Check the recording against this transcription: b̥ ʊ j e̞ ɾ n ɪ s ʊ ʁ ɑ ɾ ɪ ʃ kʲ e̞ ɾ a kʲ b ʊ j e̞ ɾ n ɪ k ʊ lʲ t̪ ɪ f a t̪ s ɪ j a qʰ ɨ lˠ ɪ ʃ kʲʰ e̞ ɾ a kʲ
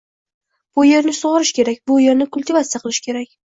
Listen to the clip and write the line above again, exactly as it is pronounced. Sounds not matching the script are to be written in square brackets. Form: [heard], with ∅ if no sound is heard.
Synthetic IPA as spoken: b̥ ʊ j e̞ ɾ n ɪ s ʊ ʁ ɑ ɾ ɪ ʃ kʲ e̞ ɾ a kʲ b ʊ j e̞ ɾ n ɪ k ʊ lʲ t̪ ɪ [v] a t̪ s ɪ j a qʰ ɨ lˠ ɪ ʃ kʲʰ e̞ ɾ a kʲ